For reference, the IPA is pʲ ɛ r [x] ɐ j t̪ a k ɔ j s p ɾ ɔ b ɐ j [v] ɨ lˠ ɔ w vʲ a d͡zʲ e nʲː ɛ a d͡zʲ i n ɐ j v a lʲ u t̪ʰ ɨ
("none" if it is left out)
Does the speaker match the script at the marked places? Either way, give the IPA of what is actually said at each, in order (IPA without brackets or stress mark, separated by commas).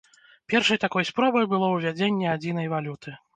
ʂ, b